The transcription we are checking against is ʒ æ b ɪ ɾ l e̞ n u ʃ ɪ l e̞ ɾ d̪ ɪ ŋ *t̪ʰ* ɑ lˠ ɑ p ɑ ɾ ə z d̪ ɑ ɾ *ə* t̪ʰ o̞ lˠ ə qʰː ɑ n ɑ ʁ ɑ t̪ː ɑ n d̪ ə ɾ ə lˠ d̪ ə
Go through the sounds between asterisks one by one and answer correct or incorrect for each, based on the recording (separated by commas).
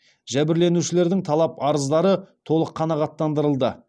correct, correct